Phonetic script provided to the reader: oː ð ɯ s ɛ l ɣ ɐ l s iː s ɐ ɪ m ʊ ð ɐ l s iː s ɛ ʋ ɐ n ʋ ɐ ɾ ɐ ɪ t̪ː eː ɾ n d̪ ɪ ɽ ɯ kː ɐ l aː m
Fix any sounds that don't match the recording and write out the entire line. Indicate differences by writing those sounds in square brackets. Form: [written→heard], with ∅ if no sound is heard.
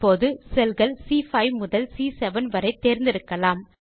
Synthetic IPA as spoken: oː ð ɯ s ɛ l ɣ ɐ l s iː [s→f] ɐ ɪ m ʊ ð ɐ l s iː s ɛ ʋ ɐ n ʋ ɐ ɾ ɐ ɪ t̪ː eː ɾ n d̪ ɪ [ɽ→ɾ] ɯ kː ɐ l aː m